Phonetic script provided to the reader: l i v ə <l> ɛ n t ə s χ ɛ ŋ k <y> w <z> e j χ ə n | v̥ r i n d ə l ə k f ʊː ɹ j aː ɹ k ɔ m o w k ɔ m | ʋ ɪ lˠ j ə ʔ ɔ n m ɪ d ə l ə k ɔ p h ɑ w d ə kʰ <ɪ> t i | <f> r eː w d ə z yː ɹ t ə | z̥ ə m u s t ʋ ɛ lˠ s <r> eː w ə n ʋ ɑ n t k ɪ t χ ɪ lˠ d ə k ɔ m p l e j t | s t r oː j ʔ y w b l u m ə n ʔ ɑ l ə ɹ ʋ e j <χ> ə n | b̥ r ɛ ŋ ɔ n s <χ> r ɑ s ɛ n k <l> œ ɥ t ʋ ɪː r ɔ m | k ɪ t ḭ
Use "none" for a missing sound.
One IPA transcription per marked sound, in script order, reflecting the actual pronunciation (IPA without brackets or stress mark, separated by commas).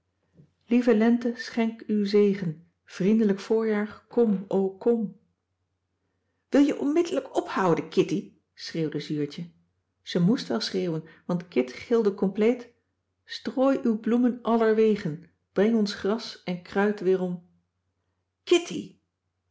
l, y, z, ɪ, s, r, χ, χ, r